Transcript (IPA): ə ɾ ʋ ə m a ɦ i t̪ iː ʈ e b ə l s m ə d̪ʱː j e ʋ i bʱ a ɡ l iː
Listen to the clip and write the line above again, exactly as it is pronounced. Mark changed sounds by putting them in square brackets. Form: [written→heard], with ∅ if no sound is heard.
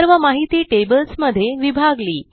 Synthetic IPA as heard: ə ɾ ʋ ə m a ɦ i t̪ iː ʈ e b ə l s m ə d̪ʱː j e ʋ i bʱ a ɡ l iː